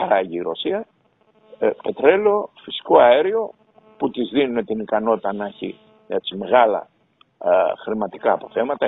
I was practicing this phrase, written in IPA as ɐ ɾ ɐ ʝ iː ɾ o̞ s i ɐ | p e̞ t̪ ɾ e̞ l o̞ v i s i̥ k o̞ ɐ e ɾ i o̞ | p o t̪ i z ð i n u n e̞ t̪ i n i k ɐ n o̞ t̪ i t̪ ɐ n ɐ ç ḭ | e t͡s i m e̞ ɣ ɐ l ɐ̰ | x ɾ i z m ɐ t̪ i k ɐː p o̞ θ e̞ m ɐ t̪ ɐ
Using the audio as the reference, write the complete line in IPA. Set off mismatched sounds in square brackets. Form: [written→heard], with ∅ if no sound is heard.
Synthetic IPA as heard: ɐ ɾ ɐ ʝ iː ɾ o̞ s i ɐ | p e̞ t̪ ɾ e̞ l o̞ [v→f] i s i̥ k o̞ ɐ e ɾ i o̞ | p [o→u] t̪ i z ð i n u n e̞ t̪ i n i k ɐ n o̞ t̪ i t̪ ɐ n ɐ ç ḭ | e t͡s i m e̞ ɣ ɐ l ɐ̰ | x ɾ i [z→∅] m ɐ t̪ i k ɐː p o̞ θ e̞ m ɐ t̪ ɐ